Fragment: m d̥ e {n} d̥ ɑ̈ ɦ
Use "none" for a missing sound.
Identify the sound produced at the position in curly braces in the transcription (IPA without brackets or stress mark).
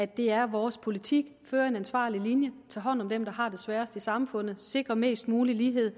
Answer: m